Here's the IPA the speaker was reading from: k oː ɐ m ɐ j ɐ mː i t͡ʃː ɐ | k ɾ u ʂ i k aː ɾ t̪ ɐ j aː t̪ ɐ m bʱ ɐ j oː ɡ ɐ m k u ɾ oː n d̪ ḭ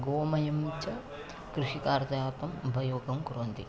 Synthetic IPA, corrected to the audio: ɡ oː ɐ m ɐ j ɐ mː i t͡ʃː ɐ | k ɾ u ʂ i k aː ɾ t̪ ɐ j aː t̪ ɐ m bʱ ɐ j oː ɡ ɐ m k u ɾ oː n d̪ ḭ